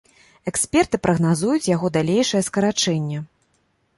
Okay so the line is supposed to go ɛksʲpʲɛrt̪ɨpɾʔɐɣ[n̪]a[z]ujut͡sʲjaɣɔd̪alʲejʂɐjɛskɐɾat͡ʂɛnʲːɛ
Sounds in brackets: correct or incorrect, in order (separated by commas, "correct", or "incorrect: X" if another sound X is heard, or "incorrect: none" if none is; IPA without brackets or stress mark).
correct, correct